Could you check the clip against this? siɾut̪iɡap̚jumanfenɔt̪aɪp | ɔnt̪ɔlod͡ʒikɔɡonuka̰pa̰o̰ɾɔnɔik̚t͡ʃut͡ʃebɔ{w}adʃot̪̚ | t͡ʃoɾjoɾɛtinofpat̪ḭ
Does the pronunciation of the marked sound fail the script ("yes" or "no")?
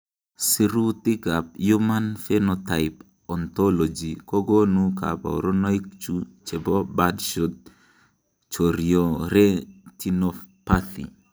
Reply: yes